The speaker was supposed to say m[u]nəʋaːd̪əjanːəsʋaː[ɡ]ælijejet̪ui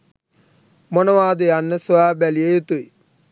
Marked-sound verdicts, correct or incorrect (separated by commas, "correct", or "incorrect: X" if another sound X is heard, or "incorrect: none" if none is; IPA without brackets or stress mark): incorrect: o, incorrect: b